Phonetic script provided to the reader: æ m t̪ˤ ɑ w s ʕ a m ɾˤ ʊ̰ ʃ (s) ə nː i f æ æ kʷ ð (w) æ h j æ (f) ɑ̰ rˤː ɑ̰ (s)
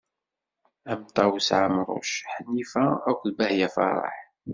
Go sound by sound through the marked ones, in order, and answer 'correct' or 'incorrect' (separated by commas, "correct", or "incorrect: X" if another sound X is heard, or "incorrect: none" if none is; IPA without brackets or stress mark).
incorrect: ħ, incorrect: b, correct, incorrect: ħ